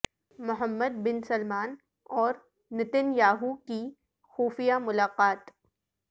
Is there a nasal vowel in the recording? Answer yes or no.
no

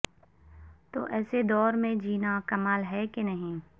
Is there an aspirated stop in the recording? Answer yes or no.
no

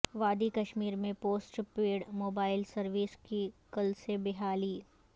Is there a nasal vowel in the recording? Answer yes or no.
yes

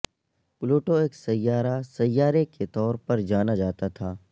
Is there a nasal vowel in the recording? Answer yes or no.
no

